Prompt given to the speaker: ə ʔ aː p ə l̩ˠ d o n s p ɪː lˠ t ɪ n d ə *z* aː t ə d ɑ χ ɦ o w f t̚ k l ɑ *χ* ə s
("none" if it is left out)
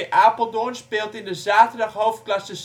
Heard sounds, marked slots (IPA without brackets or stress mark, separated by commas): z, s